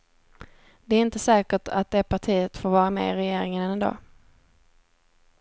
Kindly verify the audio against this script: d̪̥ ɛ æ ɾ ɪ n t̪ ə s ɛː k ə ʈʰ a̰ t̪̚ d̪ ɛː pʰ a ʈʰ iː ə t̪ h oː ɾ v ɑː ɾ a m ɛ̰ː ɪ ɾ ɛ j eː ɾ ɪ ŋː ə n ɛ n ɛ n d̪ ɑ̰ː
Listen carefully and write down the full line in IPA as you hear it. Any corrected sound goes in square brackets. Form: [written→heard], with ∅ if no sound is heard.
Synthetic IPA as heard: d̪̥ ɛ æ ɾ ɪ n t̪ ə s ɛː k ə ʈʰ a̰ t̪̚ d̪ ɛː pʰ a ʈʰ iː ə t̪ [h→f] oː ɾ v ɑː ɾ a m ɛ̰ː ɪ ɾ ɛ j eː ɾ ɪ [ŋː→ŋ] ə n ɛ n ɛ n d̪ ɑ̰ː

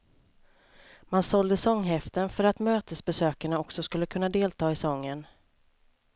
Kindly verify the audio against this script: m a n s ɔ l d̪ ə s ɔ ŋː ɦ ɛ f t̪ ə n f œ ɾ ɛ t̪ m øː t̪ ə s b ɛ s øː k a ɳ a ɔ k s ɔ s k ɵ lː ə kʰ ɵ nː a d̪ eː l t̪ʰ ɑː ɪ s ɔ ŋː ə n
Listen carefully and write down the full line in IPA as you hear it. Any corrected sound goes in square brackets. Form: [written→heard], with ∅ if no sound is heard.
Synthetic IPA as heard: m a n s ɔ l d̪ ə s ɔ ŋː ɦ ɛ f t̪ ə n f œ ɾ [ɛ→a] t̪ m øː t̪ ə s b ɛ s øː k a ɳ a ɔ k s ɔ s k ɵ lː ə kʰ ɵ nː a d̪ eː l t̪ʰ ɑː ɪ s ɔ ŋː ə n

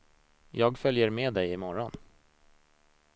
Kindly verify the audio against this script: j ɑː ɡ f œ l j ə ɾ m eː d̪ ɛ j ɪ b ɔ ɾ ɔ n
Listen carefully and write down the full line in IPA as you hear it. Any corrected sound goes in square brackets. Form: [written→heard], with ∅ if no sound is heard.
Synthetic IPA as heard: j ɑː ɡ f œ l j ə ɾ m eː d̪ ɛ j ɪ [b→m] ɔ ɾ ɔ n

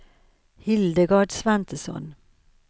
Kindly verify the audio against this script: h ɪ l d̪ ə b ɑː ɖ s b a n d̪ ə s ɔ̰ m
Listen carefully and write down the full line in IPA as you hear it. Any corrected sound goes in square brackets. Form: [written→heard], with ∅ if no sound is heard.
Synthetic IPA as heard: h ɪ l d̪ ə [b→ɡ] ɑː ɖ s [b→v] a n [d̪→t̪] ə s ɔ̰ [m→n]

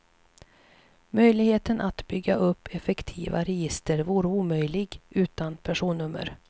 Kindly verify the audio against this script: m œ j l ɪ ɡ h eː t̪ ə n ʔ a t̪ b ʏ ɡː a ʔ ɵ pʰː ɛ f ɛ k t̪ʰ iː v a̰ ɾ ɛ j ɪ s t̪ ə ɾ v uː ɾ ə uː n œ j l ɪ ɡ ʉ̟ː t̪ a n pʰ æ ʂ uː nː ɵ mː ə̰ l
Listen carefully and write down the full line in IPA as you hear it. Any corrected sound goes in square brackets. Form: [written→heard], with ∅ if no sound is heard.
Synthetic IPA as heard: m œ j l ɪ ɡ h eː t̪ ə n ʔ a t̪ b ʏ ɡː a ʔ ɵ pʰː ɛ f ɛ k t̪ʰ iː v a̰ ɾ ɛ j ɪ s t̪ ə ɾ v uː ɾ ə uː [n→m] œ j l ɪ ɡ ʉ̟ː t̪ a n pʰ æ ʂ uː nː ɵ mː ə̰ [l→ɾ]

